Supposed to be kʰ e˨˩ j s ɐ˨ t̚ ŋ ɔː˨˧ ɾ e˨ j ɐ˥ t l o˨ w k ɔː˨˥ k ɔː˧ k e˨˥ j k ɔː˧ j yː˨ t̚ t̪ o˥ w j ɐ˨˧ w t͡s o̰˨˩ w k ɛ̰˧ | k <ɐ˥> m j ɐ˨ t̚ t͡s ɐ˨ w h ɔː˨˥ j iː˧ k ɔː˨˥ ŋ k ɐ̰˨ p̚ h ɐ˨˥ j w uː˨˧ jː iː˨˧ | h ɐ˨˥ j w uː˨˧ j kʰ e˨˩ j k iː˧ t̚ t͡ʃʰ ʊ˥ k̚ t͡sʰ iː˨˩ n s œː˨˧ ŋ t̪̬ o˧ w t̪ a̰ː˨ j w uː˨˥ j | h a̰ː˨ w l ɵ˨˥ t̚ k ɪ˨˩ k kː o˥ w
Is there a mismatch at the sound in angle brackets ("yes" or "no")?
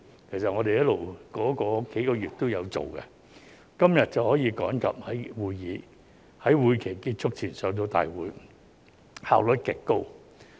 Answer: no